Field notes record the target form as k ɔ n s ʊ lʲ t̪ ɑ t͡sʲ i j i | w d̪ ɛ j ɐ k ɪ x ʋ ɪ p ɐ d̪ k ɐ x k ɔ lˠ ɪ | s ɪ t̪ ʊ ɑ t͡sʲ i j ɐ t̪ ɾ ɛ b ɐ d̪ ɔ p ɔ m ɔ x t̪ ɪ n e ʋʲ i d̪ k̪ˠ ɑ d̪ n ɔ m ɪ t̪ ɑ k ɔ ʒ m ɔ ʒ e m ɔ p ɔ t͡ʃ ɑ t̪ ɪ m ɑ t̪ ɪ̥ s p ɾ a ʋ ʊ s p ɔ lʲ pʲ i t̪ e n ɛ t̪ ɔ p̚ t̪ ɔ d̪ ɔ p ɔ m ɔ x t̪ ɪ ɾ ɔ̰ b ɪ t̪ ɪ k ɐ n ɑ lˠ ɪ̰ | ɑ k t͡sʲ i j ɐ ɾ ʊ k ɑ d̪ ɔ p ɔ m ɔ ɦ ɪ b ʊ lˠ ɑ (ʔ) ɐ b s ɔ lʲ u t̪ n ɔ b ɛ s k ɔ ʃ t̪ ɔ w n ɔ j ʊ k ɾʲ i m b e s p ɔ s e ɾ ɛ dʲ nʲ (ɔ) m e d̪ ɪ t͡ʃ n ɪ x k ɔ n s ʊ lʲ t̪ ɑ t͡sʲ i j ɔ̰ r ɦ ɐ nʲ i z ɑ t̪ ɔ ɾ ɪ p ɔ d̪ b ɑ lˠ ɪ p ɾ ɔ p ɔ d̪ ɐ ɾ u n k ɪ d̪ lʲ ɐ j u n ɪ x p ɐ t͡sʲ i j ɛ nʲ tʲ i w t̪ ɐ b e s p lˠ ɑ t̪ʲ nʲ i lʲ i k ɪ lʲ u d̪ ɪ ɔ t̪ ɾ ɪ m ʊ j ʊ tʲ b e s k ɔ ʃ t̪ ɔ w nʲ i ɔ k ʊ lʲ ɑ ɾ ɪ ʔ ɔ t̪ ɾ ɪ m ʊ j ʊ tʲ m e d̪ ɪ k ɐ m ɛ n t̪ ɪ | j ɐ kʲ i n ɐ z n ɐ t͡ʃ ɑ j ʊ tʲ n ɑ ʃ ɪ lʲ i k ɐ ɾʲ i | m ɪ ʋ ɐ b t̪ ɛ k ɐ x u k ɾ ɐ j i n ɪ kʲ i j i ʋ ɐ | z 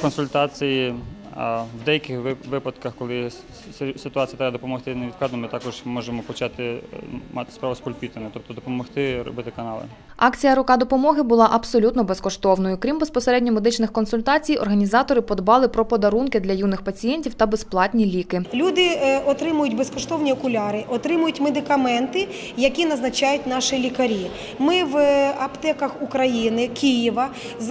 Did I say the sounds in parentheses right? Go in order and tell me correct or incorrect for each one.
correct, correct

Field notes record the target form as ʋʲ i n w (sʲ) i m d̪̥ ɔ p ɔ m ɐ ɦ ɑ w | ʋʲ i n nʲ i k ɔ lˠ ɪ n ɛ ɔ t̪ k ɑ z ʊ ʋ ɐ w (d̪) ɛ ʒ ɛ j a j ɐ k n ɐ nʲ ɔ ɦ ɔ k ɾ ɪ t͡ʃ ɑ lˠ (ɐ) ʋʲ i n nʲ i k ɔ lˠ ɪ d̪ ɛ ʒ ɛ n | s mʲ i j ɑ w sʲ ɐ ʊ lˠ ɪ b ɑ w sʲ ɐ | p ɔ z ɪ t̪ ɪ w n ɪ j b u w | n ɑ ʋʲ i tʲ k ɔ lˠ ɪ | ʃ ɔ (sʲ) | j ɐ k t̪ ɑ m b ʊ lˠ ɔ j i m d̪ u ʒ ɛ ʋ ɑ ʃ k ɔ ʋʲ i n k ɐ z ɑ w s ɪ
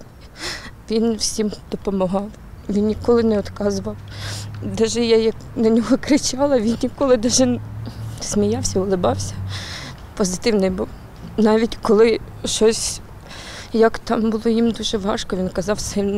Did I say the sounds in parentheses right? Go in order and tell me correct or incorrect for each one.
correct, correct, correct, correct

